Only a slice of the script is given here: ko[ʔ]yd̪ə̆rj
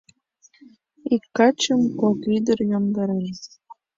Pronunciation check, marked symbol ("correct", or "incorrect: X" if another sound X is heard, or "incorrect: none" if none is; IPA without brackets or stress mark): incorrect: k